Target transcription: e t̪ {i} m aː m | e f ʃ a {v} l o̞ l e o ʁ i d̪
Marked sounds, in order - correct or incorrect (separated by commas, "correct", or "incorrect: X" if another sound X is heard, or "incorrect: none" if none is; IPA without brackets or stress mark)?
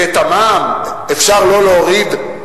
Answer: incorrect: a, incorrect: ʁ